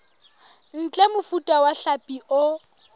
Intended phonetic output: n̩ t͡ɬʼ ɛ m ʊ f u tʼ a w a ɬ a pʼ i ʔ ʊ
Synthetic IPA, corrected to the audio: n̩ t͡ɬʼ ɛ m ʊ f u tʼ a w a ɬ a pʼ i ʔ ʊ